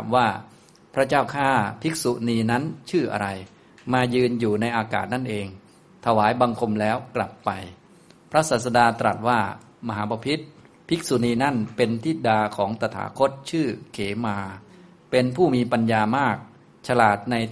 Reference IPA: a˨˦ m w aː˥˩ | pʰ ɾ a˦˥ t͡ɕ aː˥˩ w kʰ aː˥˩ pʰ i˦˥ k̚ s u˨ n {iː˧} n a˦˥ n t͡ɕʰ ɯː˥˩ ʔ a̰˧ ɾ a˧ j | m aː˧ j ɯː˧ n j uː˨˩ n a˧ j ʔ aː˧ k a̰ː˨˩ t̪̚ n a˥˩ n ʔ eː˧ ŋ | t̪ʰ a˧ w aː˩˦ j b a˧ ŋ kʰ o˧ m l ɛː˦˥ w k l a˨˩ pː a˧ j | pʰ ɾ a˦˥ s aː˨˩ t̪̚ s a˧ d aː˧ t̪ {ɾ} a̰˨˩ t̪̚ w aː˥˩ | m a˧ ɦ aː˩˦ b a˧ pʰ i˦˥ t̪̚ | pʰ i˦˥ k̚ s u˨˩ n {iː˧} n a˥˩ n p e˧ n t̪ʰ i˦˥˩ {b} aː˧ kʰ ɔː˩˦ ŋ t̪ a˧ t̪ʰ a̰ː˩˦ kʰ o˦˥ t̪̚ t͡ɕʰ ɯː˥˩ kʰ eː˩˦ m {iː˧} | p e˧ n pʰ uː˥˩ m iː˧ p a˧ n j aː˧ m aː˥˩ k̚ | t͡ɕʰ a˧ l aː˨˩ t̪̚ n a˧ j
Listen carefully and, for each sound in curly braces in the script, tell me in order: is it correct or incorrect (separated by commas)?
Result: correct, correct, correct, incorrect, incorrect